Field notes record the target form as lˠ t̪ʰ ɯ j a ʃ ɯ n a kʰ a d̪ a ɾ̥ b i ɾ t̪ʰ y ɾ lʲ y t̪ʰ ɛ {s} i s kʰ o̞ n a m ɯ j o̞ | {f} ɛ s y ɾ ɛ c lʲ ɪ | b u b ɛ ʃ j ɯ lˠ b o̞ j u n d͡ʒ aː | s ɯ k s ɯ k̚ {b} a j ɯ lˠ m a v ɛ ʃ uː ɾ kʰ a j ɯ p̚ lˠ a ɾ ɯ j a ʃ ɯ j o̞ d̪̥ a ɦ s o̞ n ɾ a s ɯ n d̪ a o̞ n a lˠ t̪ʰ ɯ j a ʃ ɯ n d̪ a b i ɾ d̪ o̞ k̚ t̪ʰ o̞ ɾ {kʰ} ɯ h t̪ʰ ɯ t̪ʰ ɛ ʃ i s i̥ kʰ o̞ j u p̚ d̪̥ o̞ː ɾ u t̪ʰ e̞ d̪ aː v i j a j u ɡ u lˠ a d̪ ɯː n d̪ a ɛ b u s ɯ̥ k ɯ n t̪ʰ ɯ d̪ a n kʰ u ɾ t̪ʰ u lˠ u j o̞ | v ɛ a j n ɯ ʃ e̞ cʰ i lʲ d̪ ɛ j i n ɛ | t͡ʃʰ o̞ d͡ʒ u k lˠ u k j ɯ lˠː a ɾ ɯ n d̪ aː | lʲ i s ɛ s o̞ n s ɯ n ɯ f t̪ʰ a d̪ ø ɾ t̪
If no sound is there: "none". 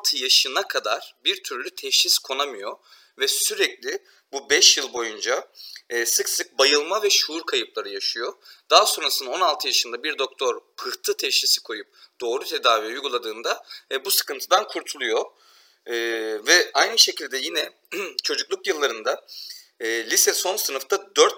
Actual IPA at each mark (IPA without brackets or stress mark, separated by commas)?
ʃ, v, b, pʰ